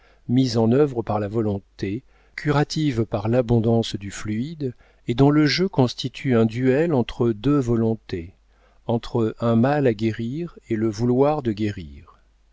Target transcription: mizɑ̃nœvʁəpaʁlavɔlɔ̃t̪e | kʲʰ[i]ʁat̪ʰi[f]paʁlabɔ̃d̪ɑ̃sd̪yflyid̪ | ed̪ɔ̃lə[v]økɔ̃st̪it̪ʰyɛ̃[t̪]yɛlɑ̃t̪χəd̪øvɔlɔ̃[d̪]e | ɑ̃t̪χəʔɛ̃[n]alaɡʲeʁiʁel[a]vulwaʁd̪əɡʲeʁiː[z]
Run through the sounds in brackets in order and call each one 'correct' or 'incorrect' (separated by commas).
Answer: incorrect, incorrect, incorrect, incorrect, incorrect, incorrect, incorrect, incorrect